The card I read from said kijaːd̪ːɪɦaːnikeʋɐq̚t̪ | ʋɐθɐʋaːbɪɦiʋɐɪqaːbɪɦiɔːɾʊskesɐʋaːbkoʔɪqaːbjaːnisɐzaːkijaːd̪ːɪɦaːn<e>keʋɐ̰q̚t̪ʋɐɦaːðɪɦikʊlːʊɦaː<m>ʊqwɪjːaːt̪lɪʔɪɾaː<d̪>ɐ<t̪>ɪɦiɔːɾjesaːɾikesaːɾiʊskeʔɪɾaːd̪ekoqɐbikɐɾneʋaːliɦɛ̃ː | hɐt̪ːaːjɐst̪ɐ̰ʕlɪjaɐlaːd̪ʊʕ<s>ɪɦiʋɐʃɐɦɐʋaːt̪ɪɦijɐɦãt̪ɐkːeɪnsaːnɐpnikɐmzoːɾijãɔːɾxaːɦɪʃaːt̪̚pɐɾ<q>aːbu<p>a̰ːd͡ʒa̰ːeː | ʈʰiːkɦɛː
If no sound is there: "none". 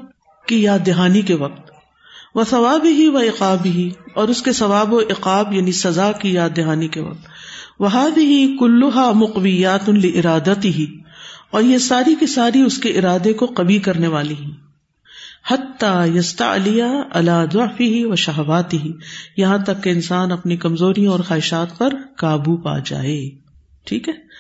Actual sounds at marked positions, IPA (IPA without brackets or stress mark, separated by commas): i, m, d̪, t̪, f, k, p